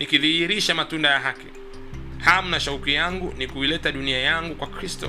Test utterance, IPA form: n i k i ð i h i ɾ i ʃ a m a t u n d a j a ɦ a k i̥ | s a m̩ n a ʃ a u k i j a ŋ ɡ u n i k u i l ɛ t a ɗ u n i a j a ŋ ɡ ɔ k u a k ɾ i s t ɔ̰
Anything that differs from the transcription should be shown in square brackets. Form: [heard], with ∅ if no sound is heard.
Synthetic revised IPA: n i k i ð i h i ɾ i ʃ a m a t u n d a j a ɦ a k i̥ | [h] a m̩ n a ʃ a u k i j a ŋ ɡ u n i k u i l ɛ t a ɗ u n i a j a ŋ ɡ [u] k [w] a k ɾ i s t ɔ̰